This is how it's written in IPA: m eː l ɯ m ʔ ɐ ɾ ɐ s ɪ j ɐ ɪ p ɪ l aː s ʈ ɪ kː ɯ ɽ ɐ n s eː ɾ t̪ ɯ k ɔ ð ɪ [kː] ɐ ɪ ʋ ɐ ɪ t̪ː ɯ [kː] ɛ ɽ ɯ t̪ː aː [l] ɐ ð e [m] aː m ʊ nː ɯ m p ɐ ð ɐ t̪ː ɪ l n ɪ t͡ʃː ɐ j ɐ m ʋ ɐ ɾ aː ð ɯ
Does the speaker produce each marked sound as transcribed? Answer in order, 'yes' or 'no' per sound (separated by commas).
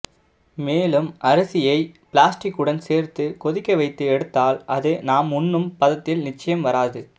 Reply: yes, no, yes, no